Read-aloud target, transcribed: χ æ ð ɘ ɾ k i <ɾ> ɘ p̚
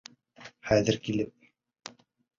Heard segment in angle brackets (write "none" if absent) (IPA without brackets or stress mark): l